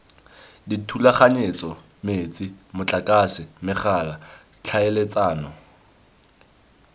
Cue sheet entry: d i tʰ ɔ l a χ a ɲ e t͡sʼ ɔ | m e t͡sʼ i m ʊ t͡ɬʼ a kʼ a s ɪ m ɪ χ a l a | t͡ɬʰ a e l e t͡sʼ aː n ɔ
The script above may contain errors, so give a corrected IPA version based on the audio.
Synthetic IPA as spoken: d i tʰ u l a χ a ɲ e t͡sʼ ɔ | m e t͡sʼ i m ʊ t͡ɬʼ a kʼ a s ɪ m ɪ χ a l a | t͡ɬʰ a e l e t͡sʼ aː n ɔ

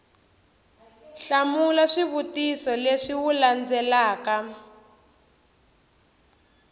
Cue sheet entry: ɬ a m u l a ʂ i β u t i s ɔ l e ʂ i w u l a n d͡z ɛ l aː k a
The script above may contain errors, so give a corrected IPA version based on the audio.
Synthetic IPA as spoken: ɬ a m u l a ʂ i β u t i s ɔ l e ʂ i w u l a n d͡z ɛ l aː k a

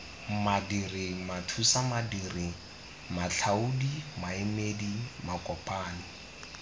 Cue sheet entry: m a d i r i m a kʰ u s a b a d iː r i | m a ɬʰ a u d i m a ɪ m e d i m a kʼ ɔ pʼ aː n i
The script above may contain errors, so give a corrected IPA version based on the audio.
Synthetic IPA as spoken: m a d i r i m a tʰ u s a m a d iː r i | m a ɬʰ a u d i m a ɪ m e d i m a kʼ ɔ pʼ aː n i

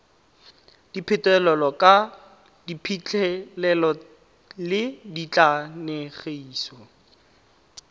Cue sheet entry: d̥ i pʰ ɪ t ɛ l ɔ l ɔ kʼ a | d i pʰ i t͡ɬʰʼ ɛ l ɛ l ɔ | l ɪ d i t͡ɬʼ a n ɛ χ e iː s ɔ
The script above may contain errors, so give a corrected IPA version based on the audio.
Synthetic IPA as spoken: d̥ i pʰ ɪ t ɛ l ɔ l ɔ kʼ a | d i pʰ i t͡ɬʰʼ ɛ l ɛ l ɔ | l ɪ d i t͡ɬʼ a n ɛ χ e iː s ɔ

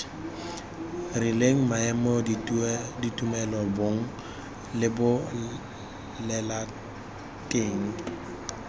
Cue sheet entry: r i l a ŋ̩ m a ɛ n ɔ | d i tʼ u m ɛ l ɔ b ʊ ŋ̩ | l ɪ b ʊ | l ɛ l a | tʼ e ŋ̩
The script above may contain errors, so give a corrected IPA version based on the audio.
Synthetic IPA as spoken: r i l e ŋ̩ m a ɛ m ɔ | d i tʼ u m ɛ l ɔ b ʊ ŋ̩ | l ɪ b ʊ | l ɛ l a | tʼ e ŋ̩

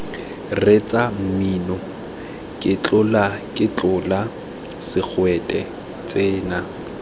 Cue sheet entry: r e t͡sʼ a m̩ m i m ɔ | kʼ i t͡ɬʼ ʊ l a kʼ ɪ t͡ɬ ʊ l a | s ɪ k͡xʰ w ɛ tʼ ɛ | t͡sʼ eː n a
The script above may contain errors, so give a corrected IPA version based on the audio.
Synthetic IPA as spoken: r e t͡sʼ a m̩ m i n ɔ | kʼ ɪ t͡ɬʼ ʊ l a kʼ ɪ t͡ɬ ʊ l a | s ɪ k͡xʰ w ɛ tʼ ɛ | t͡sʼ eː n a

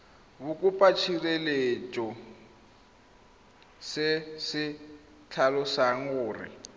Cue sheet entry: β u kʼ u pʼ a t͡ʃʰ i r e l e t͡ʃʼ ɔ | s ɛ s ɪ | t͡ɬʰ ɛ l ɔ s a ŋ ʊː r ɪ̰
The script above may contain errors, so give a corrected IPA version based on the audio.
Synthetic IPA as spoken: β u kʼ u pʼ a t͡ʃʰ i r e l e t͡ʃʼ ɔ | s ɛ s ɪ | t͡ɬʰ a l ɔ s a ŋ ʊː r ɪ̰

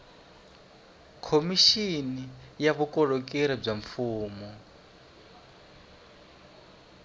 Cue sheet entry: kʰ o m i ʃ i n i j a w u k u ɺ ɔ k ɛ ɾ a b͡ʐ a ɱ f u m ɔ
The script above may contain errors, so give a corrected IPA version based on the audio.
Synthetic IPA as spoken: kʰ o m i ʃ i n i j a β u k ɔ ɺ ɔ k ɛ ɾ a b͡ʐ a ɱ f uː m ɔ

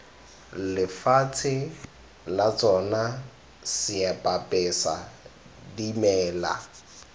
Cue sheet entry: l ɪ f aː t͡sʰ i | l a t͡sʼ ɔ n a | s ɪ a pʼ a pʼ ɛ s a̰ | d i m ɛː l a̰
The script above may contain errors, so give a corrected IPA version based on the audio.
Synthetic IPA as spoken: l ɪ f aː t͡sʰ ɪ | l a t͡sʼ ɔ n a | s ɪ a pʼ a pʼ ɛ s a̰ | d i m ɛː l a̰

